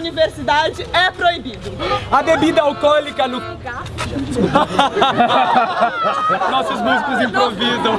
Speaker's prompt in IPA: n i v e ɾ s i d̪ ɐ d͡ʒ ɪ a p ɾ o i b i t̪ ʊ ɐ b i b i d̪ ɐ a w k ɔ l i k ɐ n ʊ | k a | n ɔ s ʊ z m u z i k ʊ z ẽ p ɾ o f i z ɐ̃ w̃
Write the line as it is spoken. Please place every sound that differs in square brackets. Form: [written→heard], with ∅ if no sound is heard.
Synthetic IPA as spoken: n i v e ɾ s i d̪ [ɐ→a] d͡ʒ ɪ [a→ɛ] p ɾ o i b i [t̪→d̪] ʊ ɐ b [i→e] b i d̪ ɐ a w k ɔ l i k ɐ n ʊ | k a | n ɔ s ʊ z m u z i k ʊ z [ẽ→ĩ] p ɾ o [f→v] i z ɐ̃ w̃